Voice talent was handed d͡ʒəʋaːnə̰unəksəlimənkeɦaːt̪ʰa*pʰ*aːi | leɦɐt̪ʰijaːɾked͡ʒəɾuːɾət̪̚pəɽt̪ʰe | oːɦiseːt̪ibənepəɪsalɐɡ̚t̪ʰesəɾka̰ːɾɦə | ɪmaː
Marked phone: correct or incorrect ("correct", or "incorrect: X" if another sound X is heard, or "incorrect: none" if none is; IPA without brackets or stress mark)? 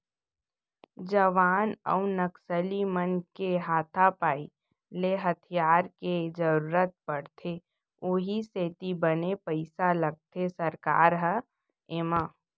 incorrect: p